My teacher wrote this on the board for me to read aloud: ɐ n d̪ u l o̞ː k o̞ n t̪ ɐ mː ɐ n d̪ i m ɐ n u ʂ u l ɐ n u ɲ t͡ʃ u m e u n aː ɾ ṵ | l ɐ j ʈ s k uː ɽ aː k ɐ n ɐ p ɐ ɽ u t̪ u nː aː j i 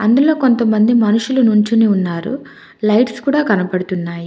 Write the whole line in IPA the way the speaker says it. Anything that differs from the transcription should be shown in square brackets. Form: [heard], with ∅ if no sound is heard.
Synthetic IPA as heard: ɐ n d̪ u l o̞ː k o̞ n t̪ ɐ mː ɐ n d̪ i m ɐ n u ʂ u l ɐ n u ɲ t͡ʃ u [n] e u [nː] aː ɾ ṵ | l ɐ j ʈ s k uː ɽ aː k ɐ n ɐ p ɐ ɽ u t̪ u nː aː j i